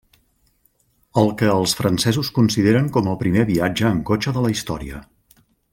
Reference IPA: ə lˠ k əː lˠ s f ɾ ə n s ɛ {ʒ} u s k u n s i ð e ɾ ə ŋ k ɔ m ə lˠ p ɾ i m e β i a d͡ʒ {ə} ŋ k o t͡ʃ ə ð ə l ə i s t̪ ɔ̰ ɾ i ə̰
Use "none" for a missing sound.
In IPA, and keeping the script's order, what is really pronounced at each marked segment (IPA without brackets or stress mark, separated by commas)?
z, əː